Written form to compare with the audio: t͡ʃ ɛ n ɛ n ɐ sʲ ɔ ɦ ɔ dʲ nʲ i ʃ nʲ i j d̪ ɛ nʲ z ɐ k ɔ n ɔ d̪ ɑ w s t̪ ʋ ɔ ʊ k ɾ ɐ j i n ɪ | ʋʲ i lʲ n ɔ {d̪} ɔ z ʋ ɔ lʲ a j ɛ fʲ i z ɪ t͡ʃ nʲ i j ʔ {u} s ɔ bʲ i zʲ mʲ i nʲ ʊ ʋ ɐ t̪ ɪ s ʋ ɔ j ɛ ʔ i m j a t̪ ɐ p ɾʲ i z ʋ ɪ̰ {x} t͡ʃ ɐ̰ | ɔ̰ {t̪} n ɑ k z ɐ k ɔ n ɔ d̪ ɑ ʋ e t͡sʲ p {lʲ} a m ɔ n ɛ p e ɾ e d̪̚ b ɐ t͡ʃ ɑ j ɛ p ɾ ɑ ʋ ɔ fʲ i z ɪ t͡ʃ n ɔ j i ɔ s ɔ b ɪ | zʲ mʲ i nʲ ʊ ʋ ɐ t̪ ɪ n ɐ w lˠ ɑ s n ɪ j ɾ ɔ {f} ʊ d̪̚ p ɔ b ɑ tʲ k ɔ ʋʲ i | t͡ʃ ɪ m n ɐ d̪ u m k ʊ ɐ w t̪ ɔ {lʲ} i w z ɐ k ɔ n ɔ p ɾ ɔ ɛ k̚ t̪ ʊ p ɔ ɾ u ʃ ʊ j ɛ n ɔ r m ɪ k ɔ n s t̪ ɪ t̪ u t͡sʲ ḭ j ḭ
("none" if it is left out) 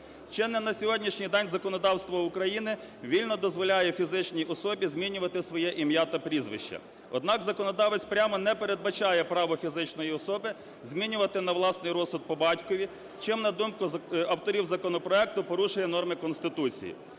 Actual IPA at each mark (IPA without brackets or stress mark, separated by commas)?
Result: d̪, ɔ, ʃ, d̪, ɾʲ, s, ɾʲ